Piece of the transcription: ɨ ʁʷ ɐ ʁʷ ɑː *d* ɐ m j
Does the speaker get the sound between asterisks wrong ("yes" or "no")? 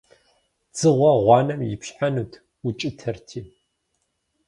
yes